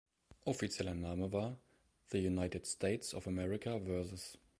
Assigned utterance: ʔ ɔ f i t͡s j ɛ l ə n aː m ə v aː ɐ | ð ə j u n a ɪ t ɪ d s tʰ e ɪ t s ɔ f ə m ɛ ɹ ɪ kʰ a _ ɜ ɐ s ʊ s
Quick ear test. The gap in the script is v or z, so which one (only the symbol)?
v